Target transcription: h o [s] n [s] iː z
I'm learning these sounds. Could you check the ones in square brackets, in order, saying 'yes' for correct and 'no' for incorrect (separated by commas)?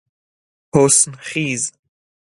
yes, no